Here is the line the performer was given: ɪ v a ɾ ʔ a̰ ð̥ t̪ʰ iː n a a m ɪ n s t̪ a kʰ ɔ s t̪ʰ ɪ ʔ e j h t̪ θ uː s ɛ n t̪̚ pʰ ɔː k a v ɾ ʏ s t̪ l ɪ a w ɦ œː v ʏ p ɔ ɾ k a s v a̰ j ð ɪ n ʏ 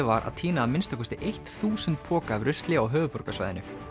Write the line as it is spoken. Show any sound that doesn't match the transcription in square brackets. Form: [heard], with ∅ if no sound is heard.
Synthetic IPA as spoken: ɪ v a ɾ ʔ a̰ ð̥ t̪ʰ iː n a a m ɪ n s t̪ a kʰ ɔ s [t̪] ɪ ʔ e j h t̪ θ uː s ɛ n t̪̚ pʰ ɔː k a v ɾ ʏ s t̪ l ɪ a w ɦ œː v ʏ p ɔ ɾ k a s v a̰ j ð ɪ n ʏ